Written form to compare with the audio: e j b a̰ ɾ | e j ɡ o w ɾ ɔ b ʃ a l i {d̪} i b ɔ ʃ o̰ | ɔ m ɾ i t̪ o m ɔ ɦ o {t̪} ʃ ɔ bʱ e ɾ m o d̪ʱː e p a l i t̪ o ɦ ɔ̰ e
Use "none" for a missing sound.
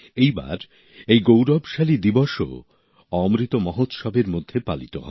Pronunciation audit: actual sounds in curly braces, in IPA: d̪, t̪

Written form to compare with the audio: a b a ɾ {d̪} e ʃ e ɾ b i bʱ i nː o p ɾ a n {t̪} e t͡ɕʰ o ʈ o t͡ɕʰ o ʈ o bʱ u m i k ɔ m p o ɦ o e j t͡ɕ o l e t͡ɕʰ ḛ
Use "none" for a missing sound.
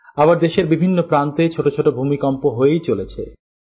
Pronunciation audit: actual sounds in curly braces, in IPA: d̪, t̪

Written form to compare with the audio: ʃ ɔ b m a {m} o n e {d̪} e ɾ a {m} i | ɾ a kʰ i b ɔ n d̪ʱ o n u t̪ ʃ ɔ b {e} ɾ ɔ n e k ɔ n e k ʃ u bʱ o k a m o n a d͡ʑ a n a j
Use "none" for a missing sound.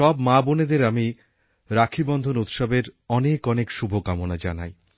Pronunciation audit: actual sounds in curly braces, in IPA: b, d̪, m, e

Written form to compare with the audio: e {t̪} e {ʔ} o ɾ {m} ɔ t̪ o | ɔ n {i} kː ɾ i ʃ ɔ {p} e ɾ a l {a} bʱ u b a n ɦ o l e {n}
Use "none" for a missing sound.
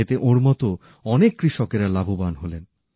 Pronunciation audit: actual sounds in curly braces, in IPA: t̪, ʔ, m, e, k, a, n

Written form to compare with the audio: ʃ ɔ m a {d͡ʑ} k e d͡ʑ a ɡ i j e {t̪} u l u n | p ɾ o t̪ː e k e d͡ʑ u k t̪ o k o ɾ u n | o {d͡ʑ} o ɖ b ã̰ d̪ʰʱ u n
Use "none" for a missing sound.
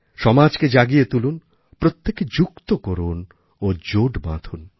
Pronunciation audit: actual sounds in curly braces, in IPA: d͡ʑ, t̪, d͡ʑ

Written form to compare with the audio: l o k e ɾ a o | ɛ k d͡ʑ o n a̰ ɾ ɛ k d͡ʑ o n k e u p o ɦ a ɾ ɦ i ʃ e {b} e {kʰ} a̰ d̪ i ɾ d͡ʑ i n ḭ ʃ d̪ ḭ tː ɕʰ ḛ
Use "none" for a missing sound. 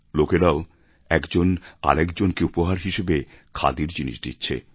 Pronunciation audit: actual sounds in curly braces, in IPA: b, kʰ

